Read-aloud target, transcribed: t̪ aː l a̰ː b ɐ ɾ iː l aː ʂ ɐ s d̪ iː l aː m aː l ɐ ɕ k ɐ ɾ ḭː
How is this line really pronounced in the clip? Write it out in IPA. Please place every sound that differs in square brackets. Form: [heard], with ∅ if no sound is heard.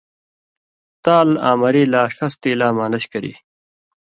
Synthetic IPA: t̪ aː l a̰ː [m] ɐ ɾ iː l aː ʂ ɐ s [t̪] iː l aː m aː l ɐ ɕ k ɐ ɾ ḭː